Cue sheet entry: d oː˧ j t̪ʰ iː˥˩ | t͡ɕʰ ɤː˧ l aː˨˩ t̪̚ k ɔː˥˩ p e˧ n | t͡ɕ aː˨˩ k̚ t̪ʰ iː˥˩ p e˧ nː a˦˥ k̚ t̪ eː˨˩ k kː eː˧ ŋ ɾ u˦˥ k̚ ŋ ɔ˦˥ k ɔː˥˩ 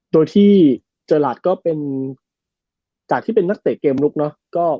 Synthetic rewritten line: d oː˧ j t̪ʰ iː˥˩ | t͡ɕ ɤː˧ l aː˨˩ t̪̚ k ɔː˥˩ p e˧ n | t͡ɕ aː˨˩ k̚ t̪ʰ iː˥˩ p e˧ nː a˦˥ k̚ t̪ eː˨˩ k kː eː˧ m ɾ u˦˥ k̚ n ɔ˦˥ k ɔː˥˩